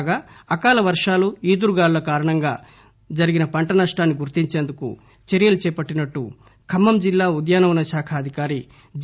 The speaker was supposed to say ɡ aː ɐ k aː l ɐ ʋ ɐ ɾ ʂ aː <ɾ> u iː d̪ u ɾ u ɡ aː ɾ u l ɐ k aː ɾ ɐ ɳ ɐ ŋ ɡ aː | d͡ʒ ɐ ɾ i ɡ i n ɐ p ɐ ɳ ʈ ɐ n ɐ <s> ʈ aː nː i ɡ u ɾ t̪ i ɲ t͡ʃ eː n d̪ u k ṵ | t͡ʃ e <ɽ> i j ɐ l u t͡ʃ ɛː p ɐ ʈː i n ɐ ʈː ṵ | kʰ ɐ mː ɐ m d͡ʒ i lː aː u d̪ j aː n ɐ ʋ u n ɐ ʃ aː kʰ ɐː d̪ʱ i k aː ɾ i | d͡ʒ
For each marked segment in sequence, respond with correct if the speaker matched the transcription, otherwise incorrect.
incorrect: l, incorrect: ʂ, incorrect: ɾ

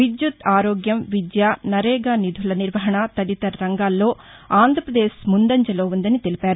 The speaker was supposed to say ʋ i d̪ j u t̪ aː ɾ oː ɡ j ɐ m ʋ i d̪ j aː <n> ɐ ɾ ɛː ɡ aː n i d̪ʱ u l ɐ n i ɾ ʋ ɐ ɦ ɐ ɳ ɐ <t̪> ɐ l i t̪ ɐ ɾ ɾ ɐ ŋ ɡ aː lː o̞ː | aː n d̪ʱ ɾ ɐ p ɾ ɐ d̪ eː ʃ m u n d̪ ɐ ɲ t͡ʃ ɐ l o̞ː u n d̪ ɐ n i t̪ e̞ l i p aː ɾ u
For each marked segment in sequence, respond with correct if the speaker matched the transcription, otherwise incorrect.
correct, correct

